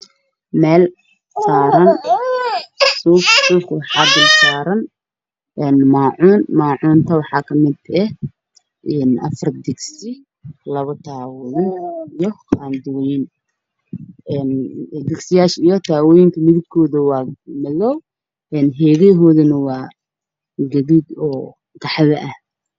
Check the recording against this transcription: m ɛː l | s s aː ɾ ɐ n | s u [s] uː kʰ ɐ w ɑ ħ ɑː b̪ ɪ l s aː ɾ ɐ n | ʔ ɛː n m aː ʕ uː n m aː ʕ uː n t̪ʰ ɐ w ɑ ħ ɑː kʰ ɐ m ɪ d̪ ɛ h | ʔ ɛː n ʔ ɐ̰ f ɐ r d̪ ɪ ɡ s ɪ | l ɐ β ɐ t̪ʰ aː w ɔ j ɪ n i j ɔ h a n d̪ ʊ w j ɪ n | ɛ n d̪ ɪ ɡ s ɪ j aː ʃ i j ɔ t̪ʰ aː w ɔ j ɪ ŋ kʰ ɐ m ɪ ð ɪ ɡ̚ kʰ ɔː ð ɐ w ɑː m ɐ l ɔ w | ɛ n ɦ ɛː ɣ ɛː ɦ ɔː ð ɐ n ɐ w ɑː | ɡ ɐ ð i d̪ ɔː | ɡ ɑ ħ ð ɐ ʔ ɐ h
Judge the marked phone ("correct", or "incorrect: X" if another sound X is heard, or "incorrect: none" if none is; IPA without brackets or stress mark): correct